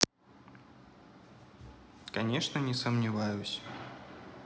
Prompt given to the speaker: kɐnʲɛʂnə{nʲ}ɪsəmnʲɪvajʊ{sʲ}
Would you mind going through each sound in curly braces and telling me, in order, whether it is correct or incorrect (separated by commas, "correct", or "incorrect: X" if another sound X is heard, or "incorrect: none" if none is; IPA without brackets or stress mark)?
correct, correct